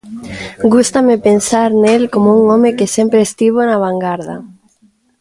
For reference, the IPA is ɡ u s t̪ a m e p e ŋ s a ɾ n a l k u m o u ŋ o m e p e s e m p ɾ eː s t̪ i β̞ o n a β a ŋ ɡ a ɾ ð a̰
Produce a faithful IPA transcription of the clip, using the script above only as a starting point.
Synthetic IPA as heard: ɡ u s t̪ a m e p e n s a ɾ n e l k o m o u ŋ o m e k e s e m p ɾ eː s t̪ i β̞ o n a β a ŋ ɡ a ɾ ð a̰